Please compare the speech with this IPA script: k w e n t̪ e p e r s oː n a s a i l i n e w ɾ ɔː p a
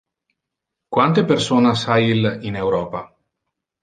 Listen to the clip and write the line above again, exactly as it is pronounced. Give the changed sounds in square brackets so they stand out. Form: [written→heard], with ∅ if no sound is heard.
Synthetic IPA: k w [e→a] n t̪ e p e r s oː n a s a i l i n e w ɾ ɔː p a